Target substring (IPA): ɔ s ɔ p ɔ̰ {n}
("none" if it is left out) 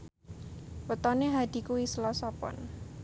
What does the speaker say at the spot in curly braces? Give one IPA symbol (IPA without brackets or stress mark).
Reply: n